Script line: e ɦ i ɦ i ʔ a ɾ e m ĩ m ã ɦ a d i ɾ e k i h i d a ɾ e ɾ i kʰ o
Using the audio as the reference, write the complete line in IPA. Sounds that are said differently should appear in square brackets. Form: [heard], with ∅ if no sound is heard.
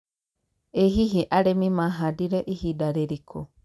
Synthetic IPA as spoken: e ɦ i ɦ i ʔ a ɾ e m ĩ m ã ɦ a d i ɾ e [ʔ] i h i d a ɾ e ɾ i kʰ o